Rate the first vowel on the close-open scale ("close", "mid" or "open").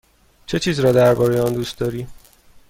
mid